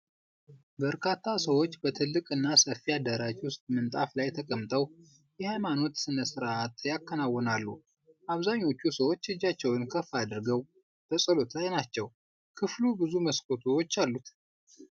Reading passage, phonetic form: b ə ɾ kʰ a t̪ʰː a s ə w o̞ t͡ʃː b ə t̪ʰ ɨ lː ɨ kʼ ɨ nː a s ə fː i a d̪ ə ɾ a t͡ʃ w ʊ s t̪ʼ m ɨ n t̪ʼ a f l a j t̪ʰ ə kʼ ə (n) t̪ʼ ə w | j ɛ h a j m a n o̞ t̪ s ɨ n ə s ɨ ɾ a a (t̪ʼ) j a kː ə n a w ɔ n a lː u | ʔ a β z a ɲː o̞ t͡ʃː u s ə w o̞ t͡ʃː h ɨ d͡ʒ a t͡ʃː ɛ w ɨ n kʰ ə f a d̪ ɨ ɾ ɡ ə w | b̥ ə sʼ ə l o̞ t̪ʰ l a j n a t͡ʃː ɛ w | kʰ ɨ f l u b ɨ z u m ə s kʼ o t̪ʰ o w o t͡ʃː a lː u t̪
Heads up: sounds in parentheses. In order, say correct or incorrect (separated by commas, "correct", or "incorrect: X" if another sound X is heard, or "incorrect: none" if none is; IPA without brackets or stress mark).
incorrect: m, incorrect: t̪